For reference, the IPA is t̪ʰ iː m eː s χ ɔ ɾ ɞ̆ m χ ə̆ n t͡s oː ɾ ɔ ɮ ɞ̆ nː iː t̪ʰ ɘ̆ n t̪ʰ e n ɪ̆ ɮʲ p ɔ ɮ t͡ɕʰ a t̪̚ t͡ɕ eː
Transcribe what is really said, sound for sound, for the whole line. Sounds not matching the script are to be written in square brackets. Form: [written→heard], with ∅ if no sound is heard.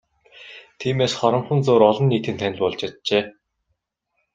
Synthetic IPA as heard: t̪ʰ iː m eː s χ ɔ ɾ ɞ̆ m χ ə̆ n t͡s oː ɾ ɔ ɮ ɞ̆ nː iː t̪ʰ ɘ̆ n t̪ʰ [e→æ] n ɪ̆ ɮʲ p ɔ ɮ [t͡ɕʰ→t͡ɕ] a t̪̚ t͡ɕ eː